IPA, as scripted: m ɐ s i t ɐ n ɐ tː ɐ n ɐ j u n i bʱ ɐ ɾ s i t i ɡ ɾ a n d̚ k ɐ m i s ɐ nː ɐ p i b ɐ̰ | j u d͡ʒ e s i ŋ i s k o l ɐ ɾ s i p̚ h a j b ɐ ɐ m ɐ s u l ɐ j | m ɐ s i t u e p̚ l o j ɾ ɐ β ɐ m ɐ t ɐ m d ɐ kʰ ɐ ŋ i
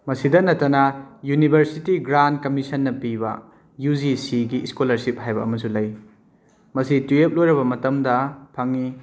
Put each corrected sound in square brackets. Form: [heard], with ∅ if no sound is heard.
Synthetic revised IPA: m ɐ s i [d] ɐ n ɐ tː ɐ n ɐ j u n i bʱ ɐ ɾ s i t i ɡ ɾ a n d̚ k ɐ m i s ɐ nː ɐ p i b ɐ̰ | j u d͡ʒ [i] s i [ɡ] i s k o l ɐ ɾ s i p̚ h a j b ɐ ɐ m ɐ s u l ɐ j | m ɐ s i t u e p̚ l o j ɾ ɐ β ɐ m ɐ t ɐ m d ɐ [pʰ] ɐ ŋ i

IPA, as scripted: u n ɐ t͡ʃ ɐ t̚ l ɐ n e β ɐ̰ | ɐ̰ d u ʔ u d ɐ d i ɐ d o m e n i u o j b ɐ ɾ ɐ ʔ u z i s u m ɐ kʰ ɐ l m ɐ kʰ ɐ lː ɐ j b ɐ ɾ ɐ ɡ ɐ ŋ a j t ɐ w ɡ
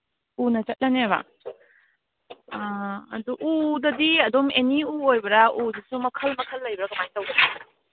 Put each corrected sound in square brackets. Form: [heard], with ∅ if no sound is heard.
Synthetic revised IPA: u n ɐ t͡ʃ ɐ t̚ l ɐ n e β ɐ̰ | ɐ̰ d u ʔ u d ɐ d i ɐ d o m e n i u o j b ɐ ɾ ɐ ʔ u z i s u m ɐ kʰ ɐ l m ɐ kʰ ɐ lː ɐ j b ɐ ɾ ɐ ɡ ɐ [m] a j t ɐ w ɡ

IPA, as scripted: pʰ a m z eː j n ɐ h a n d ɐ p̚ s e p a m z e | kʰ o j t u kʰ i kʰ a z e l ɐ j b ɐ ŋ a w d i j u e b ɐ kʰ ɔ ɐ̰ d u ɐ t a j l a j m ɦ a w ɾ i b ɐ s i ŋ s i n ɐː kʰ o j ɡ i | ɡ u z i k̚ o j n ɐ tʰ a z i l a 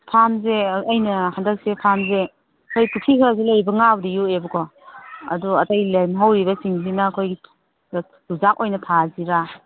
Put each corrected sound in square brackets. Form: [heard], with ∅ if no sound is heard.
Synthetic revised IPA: pʰ a m z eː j n ɐ h a n d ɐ [k̚] s e [pʰ] a m z e | kʰ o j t u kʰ i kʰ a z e l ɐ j b ɐ ŋ a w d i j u e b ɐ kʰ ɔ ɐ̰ d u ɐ t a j l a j m ɦ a w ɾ i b ɐ s i ŋ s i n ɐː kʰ o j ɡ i | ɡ u z [a] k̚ o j n ɐ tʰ a z i [ɾ] a

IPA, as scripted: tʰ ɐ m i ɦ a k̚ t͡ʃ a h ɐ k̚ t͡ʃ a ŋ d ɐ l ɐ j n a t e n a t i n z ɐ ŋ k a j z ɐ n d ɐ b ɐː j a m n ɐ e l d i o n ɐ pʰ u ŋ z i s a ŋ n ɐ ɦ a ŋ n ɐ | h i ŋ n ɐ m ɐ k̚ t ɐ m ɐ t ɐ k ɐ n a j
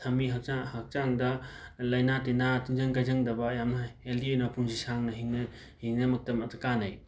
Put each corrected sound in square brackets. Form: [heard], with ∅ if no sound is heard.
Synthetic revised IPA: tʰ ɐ m i ɦ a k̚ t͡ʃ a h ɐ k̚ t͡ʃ a ŋ d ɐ l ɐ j n a t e n a t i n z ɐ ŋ k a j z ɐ [ŋ] d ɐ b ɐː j a m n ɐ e l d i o n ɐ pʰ u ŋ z i s a ŋ n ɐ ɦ [i] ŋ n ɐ | h i ŋ n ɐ m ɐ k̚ t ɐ m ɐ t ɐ k [a] n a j

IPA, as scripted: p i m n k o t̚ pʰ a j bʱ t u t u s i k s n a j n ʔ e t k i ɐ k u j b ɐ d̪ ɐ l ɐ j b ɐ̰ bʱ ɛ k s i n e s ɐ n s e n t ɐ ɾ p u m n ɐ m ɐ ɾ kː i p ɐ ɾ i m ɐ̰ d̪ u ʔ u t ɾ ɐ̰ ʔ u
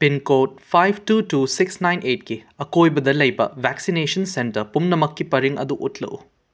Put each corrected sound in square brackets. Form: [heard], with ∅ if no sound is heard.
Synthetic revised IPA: p i [∅] n k o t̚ pʰ a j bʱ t u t u s i k s n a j n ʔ e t k i ɐ k [o] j b ɐ d̪ ɐ l ɐ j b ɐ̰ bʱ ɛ k s i n e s ɐ n s e n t ɐ ɾ p u m n ɐ m ɐ [∅] kː i p ɐ ɾ i [ŋ] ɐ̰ d̪ u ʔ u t [l] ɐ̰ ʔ u

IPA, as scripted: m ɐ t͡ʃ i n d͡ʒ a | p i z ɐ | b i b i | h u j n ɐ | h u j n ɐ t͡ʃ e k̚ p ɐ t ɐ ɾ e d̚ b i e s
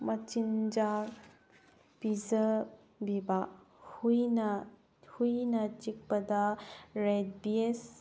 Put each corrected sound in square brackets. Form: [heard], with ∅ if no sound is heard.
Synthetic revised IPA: m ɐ t͡ʃ i n d͡ʒ a | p i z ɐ | b i b [a] | h u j n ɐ | h u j n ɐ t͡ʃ [i] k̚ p ɐ [d] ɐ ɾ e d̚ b i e s

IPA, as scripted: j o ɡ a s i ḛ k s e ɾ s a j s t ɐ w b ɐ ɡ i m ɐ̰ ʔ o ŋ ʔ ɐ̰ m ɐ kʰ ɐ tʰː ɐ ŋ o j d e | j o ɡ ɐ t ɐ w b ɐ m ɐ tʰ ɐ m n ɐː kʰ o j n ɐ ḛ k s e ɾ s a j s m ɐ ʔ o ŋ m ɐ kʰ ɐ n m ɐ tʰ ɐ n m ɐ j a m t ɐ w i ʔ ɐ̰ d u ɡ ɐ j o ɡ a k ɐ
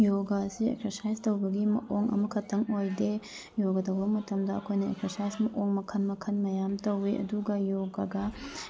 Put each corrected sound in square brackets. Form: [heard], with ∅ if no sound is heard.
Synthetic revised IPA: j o ɡ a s i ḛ k s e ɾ s a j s t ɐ w b ɐ ɡ i m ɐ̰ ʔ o ŋ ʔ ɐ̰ m ɐ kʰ ɐ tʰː ɐ ŋ o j d e | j o ɡ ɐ t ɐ w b ɐ m ɐ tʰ ɐ m [d] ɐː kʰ o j n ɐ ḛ k s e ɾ s a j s m ɐ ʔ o ŋ m ɐ kʰ ɐ n m ɐ [kʰ] ɐ n m ɐ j a m t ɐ w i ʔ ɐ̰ d u ɡ ɐ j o ɡ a [ɡ] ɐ

